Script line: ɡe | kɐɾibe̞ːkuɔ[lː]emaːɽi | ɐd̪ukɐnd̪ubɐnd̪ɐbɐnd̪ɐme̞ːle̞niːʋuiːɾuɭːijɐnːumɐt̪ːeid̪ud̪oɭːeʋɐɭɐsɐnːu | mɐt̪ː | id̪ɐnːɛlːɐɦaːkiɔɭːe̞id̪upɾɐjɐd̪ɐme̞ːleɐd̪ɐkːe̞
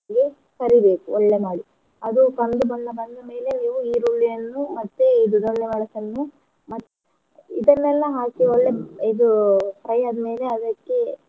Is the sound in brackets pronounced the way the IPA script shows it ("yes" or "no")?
no